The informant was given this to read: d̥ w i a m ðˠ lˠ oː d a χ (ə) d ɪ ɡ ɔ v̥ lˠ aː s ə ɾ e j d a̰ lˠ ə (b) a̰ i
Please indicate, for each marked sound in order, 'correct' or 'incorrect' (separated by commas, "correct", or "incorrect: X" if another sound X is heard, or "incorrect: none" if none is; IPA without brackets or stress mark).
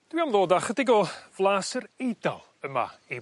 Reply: correct, incorrect: m